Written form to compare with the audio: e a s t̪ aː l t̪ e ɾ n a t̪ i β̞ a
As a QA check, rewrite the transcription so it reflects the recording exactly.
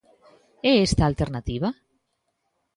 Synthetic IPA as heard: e e s t̪ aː l t̪ e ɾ n a t̪ i β̞ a